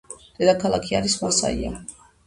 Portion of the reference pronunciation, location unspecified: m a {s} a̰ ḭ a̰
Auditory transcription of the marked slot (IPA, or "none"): s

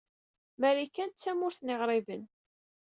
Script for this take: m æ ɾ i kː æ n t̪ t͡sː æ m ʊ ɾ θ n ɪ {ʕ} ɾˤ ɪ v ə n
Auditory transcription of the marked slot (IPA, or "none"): ʁ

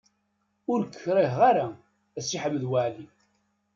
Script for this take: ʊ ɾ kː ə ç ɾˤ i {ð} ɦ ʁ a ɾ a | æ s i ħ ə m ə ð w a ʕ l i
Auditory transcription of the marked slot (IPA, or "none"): none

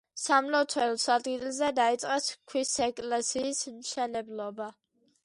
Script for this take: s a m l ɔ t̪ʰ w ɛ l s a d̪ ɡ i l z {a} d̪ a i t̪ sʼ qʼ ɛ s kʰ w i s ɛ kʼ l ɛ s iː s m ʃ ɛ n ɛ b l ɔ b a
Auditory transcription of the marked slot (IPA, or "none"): ɛ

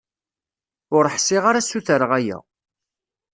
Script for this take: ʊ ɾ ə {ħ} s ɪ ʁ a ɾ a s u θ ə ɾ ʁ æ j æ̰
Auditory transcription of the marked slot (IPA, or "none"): ħ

